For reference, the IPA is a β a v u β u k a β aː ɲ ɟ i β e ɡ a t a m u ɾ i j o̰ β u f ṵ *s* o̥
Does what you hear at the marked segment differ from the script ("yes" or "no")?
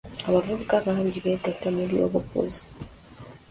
yes